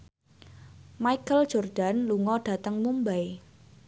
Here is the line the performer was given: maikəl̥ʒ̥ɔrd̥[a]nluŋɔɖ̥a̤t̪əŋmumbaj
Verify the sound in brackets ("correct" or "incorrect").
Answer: correct